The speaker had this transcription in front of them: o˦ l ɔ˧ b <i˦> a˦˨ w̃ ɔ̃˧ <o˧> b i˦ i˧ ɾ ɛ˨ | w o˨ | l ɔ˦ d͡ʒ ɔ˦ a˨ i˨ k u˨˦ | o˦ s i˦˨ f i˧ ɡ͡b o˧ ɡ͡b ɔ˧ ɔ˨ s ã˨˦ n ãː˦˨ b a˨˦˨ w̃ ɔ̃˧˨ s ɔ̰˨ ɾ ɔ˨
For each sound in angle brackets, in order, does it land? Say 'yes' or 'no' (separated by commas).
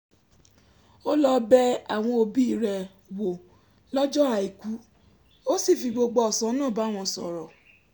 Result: no, yes